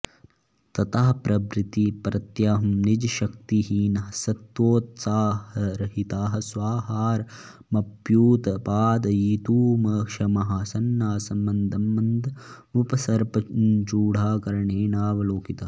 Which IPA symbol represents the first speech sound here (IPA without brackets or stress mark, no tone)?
t̪